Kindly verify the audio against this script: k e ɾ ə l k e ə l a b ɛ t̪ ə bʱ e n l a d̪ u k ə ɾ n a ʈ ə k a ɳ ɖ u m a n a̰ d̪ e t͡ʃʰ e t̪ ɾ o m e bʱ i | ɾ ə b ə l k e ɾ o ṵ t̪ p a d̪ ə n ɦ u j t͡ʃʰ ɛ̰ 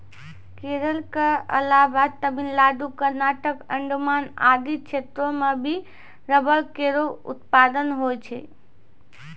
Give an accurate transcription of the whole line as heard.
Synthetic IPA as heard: k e ɾ ə l k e ə l a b a t̪ ə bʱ i n l a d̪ u k ə ɾ n a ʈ ə k ə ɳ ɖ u m a n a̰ d̪ i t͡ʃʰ e t̪ ɾ o m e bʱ i | ɾ ə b ə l k e ɾ o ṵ t̪ p a d̪ ə n ɦ o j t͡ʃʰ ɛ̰